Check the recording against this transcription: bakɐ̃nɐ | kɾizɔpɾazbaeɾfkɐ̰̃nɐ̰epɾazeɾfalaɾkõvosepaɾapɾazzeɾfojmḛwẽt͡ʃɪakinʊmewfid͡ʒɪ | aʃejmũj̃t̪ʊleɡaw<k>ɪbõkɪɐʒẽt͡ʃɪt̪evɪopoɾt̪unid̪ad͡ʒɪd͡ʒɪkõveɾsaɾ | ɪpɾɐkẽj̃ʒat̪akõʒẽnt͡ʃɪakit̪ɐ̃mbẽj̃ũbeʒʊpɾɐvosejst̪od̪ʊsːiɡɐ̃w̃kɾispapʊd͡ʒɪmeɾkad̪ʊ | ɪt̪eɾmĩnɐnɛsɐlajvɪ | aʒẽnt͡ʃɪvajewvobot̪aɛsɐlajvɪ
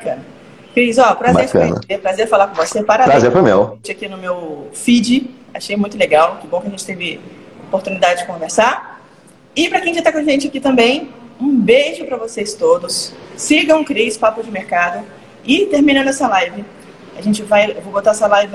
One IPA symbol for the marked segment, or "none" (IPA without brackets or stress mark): k